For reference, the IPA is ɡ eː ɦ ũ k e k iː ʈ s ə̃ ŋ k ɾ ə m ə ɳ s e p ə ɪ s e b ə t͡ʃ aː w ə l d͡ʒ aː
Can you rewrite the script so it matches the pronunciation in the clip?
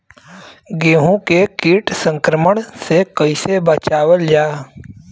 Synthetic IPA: ɡ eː ɦ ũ k e k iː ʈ s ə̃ ŋ k ɾ ə m ə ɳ s e k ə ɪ s e b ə t͡ʃ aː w ə l d͡ʒ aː